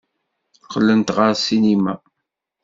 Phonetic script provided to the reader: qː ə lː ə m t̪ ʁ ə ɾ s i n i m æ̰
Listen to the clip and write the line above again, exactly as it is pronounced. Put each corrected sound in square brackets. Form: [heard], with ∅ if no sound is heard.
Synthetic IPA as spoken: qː ə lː ə [n] t̪ ʁ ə ɾ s i n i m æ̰